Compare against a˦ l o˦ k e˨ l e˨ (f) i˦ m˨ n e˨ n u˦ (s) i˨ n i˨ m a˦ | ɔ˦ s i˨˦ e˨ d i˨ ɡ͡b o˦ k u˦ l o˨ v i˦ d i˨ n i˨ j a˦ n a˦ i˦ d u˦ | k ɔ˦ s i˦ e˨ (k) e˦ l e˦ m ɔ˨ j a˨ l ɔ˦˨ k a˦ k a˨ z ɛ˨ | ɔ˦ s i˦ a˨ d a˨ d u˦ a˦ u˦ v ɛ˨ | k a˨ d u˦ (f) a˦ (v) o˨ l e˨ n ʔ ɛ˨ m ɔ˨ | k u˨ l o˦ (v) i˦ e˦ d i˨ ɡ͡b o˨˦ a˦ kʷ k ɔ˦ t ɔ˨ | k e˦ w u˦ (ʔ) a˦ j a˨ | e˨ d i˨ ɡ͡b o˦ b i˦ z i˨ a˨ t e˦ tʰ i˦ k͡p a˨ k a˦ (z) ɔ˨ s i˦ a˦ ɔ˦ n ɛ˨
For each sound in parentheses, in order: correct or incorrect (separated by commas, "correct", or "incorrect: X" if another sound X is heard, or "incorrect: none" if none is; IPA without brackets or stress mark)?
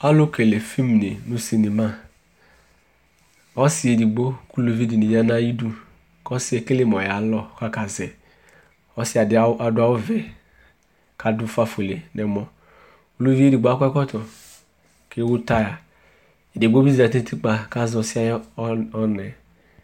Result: correct, correct, correct, correct, incorrect: f, correct, incorrect: t, correct